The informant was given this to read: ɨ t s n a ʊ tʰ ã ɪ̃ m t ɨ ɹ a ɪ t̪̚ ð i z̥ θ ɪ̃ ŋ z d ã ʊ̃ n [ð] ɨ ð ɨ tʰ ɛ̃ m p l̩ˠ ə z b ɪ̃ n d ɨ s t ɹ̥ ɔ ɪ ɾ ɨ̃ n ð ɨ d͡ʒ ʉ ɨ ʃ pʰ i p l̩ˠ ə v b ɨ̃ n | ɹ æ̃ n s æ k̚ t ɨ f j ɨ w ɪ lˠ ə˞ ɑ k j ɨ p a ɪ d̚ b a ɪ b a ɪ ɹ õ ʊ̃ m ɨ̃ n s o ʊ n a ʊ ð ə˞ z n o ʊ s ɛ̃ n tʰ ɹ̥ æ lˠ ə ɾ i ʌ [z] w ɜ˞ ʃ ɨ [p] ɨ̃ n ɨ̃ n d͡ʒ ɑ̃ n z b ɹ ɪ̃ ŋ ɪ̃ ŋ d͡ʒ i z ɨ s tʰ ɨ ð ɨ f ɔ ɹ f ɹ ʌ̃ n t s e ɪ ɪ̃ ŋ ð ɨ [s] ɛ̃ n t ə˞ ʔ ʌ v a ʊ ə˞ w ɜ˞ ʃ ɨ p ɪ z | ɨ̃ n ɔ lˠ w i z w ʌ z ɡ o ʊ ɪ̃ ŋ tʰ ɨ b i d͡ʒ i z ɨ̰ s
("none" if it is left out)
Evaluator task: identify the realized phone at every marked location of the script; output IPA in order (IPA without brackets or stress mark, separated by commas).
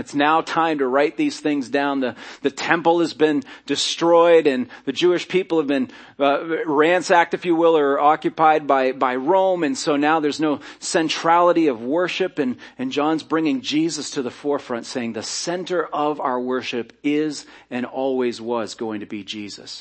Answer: ð, v, p, s